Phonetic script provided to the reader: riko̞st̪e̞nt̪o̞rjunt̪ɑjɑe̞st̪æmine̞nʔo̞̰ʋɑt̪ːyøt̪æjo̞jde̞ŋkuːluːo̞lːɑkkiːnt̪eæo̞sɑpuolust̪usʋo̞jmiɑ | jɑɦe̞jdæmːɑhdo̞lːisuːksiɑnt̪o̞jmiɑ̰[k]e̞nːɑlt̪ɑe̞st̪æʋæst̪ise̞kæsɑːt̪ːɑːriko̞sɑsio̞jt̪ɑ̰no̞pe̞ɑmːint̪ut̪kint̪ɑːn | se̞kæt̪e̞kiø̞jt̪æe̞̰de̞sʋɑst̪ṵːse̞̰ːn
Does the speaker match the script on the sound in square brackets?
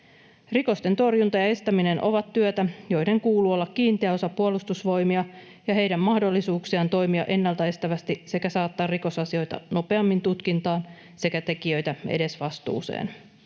no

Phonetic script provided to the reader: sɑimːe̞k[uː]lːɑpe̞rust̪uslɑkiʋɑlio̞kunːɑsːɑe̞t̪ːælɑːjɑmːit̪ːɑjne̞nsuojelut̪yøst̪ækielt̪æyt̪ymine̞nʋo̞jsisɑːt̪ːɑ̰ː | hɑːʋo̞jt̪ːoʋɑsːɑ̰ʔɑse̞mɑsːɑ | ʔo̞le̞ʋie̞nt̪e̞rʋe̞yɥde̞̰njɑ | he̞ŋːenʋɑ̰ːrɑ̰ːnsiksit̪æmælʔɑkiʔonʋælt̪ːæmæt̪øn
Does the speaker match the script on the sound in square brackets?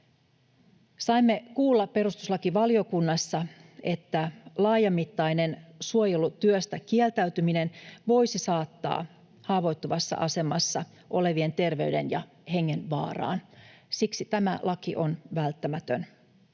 yes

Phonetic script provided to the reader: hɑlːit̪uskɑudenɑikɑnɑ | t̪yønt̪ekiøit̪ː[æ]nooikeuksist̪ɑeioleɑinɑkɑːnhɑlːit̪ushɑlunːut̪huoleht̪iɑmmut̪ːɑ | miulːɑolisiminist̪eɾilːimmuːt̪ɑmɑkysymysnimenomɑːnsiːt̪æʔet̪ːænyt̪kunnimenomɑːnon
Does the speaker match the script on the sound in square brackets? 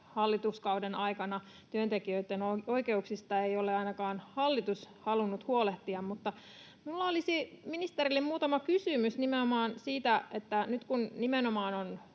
no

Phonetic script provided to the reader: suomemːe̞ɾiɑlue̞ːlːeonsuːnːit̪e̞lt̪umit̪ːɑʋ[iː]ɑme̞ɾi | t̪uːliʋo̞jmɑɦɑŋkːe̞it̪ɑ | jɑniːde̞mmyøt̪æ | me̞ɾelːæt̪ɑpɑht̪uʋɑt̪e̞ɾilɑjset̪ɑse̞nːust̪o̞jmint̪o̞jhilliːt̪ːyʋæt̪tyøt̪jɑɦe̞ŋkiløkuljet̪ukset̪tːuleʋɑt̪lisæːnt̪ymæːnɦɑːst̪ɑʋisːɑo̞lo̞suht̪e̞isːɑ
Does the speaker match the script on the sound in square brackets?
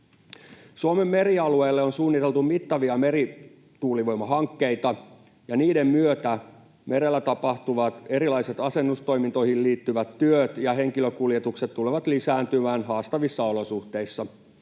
no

